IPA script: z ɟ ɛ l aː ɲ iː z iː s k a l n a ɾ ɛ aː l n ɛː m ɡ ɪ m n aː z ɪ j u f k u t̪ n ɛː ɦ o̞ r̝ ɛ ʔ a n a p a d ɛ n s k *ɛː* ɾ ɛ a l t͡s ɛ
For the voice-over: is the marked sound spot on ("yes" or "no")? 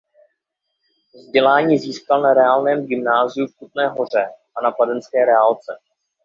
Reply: yes